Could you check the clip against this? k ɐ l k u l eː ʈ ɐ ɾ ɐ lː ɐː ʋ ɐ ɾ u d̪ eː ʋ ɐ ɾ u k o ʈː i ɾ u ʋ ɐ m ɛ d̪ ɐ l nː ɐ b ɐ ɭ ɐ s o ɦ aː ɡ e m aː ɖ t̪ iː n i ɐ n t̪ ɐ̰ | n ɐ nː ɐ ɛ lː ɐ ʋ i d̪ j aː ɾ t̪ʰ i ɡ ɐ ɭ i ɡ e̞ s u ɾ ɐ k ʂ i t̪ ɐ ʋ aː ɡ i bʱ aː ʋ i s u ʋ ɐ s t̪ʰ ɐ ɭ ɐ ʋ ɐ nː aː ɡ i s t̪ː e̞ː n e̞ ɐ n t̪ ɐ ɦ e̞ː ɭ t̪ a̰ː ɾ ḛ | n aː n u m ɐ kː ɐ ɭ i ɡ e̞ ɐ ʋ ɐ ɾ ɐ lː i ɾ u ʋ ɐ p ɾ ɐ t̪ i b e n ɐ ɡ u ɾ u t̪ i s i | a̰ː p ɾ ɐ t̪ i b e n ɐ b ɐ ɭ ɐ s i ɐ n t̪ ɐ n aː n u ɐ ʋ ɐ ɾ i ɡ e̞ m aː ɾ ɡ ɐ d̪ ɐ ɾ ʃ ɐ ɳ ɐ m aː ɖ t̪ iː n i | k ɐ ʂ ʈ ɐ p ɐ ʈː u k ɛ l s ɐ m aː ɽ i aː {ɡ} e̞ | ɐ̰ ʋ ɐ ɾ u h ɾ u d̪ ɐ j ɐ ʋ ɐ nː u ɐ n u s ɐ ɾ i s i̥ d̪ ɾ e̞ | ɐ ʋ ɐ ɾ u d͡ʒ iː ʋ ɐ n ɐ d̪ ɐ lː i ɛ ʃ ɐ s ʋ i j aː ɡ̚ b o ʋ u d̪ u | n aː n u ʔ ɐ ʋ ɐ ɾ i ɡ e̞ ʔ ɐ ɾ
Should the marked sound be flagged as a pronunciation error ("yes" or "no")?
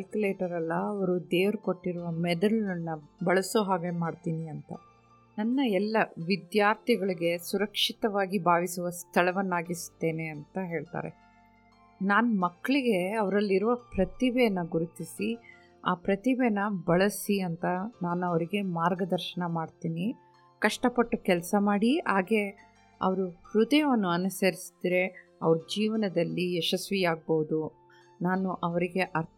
no